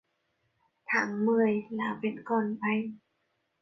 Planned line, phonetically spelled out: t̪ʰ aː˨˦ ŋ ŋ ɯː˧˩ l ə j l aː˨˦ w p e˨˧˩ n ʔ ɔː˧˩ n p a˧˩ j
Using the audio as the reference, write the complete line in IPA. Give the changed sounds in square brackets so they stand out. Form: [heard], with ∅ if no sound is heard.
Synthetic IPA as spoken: t̪ʰ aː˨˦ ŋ [m] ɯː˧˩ [∅] ə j l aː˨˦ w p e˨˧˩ n [k] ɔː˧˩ n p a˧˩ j